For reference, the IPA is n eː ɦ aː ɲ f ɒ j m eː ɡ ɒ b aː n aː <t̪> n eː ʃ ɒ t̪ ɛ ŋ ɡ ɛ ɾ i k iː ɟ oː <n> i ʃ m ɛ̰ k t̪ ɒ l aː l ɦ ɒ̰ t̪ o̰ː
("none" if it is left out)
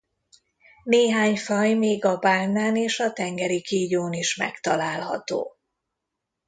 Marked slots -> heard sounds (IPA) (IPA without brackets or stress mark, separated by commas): none, n